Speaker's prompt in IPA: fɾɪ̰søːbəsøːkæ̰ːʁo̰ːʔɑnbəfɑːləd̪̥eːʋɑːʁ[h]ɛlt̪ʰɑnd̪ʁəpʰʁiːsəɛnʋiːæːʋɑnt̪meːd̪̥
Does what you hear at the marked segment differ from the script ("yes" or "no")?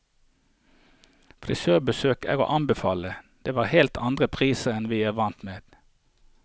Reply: no